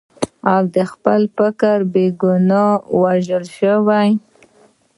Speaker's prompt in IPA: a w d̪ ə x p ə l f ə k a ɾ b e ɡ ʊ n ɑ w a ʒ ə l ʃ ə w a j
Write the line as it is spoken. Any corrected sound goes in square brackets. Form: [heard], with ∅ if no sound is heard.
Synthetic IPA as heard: a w d̪ ə x p ə l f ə k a ɾ b e ɡ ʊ n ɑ w a ʒ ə l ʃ ə w a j